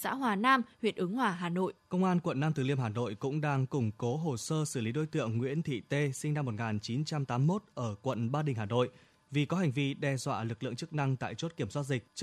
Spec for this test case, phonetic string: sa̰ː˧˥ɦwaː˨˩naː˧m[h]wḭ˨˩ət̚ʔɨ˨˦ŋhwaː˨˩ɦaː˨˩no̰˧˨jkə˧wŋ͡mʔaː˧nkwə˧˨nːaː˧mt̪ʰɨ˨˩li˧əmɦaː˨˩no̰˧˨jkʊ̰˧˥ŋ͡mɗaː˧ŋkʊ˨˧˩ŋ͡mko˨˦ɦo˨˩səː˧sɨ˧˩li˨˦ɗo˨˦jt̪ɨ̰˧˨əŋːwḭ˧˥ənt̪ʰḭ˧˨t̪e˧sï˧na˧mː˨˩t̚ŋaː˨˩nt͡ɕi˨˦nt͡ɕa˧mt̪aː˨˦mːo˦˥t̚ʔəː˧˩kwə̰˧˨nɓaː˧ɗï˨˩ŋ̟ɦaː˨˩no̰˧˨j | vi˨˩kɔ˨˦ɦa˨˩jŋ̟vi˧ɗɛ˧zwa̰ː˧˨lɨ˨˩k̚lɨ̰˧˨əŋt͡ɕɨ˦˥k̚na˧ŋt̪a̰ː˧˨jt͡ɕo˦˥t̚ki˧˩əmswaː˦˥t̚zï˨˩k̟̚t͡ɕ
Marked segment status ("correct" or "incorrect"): correct